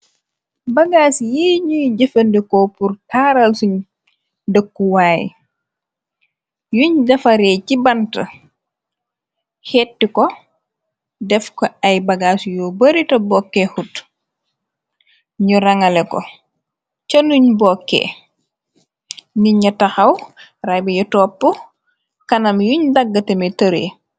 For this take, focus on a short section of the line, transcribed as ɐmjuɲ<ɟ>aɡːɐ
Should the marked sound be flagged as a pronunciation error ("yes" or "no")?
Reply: yes